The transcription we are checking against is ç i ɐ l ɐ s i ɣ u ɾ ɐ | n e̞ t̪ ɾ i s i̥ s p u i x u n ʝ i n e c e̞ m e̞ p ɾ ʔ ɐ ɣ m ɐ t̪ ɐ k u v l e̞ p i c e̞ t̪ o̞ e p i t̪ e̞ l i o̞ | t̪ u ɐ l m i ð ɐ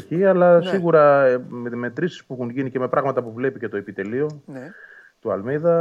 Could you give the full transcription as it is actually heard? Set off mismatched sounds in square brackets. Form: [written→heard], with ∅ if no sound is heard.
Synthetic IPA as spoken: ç i ɐ l ɐ s i ɣ u ɾ ɐ | [n→m] e̞ t̪ ɾ i s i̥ s p u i x u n ʝ i n [e→i] c e̞ m e̞ p ɾ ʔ ɐ ɣ m ɐ t̪ ɐ [k→p] u v l e̞ p i c e̞ t̪ o̞ e p i t̪ e̞ l i o̞ | t̪ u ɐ l m i ð ɐ